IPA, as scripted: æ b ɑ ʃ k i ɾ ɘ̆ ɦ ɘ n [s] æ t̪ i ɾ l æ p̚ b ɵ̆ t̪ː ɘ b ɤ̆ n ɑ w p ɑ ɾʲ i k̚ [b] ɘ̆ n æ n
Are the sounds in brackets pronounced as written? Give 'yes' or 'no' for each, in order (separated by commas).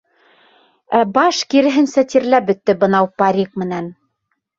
yes, no